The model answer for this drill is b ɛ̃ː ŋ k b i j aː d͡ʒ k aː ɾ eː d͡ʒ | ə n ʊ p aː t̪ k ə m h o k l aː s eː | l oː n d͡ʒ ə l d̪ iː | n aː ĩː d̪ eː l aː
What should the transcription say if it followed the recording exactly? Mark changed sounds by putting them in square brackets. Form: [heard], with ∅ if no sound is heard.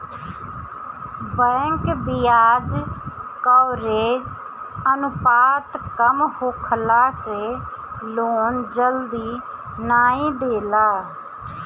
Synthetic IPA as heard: b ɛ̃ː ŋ k b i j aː d͡ʒ k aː ɾ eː d͡ʒ | ə n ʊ p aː t̪ k ə m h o [kʰ] l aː s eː | l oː n d͡ʒ ə l d̪ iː | n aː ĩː d̪ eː l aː